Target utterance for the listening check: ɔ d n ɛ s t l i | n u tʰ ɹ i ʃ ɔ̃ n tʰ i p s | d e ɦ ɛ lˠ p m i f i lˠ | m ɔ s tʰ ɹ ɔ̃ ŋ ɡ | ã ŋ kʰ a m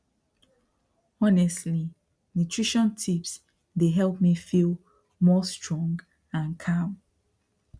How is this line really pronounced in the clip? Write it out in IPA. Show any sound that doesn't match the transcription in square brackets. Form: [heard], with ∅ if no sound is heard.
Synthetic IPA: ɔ [∅] n ɛ s t l i | n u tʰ ɹ i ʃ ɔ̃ n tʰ i p s | d e ɦ ɛ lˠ p m i f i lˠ | m ɔ s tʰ ɹ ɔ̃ ŋ ɡ | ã [n] kʰ a m